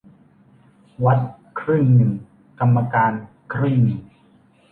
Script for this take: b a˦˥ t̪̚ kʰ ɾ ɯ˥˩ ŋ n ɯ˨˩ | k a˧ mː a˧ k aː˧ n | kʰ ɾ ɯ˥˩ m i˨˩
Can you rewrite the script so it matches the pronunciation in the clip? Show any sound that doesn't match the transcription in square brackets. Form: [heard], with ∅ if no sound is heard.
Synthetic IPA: [w] a˦˥ t̪̚ kʰ ɾ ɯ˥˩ ŋ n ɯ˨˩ | k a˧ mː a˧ k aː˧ n | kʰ ɾ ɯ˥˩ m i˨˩